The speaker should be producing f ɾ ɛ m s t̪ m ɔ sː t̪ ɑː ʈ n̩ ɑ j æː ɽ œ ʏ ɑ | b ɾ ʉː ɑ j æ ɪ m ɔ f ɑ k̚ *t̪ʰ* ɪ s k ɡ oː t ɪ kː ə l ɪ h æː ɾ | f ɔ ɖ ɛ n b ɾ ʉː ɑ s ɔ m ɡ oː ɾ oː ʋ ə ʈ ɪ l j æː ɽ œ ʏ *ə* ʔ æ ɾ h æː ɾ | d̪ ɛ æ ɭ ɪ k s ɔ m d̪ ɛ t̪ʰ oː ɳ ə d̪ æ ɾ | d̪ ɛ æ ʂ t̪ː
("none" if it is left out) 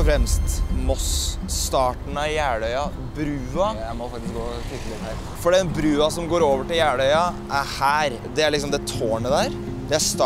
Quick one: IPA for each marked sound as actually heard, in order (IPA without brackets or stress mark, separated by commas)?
t̪, ɑ